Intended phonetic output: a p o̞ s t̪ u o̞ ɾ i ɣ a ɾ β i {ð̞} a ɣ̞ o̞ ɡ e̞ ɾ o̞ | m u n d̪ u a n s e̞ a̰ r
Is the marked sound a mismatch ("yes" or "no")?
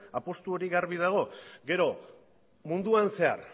no